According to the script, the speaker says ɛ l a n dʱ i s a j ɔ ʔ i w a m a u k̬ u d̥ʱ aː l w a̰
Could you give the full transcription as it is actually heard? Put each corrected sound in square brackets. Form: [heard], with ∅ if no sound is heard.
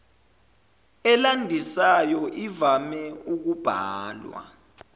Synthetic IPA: ɛ l a n dʱ i s a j ɔ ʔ i [v] a m [ɛ] u k̬ u [b̥ʱ] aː l w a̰